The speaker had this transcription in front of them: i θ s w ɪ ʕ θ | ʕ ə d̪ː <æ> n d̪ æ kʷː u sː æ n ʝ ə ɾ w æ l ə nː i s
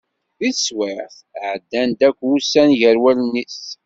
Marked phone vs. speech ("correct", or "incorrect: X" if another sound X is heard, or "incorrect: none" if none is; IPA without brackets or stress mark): correct